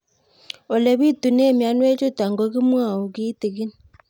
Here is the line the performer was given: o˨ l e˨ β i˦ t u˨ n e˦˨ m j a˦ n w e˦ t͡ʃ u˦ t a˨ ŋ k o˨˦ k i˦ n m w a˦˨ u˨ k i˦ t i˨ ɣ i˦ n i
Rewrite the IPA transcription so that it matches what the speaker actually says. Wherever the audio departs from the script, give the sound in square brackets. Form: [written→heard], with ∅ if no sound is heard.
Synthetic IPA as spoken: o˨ l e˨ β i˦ t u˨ n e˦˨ m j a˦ n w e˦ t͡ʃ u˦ t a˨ ŋ [k→ɡ] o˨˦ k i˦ [n→∅] m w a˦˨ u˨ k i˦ t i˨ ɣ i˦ n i